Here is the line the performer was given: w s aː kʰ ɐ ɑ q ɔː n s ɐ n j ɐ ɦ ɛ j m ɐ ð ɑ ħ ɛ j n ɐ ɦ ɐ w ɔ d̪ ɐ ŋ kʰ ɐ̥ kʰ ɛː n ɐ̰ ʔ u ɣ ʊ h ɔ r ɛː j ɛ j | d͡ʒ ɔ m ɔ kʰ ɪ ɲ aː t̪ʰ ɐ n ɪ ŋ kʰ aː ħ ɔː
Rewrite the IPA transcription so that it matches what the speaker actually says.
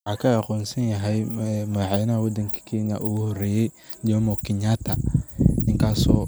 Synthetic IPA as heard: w ħ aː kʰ ɐ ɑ q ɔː n s ɐ n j ɐ ɦ ɛ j m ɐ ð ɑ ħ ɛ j n ɐ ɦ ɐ w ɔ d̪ ɐ ŋ kʰ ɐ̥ kʰ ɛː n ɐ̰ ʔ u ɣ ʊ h ɔ r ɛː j ɛ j | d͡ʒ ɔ m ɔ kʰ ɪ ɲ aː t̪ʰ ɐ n ɪ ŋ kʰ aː s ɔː